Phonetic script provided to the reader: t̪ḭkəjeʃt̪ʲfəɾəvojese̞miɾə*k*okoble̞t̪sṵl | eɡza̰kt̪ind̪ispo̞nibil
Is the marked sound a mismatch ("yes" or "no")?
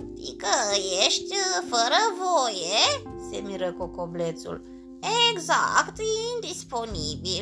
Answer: no